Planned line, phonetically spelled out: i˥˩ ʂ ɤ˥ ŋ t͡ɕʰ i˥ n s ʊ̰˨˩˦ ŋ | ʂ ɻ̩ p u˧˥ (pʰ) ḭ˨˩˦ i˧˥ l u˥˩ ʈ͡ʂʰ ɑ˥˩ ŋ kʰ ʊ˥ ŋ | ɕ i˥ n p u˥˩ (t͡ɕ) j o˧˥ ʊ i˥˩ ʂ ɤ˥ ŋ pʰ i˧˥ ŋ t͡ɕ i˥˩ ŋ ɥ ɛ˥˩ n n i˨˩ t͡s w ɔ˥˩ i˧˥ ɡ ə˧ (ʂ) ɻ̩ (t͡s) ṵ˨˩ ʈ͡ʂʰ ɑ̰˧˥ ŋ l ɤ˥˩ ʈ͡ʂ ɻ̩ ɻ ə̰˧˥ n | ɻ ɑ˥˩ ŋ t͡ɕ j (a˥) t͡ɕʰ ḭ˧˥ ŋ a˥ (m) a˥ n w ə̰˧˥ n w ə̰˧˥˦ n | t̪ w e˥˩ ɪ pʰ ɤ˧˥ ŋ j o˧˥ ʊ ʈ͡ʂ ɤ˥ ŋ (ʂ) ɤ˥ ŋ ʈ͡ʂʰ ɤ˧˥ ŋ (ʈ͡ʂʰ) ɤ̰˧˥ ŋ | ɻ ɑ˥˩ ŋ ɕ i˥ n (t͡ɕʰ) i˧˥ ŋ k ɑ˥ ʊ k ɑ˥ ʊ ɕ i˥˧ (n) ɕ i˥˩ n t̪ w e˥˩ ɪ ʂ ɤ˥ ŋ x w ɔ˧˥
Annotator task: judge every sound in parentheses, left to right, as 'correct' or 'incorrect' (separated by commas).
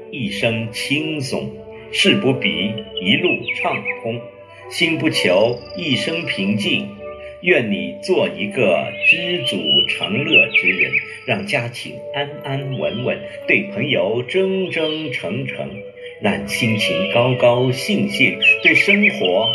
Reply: incorrect, incorrect, incorrect, correct, correct, incorrect, incorrect, correct, correct, incorrect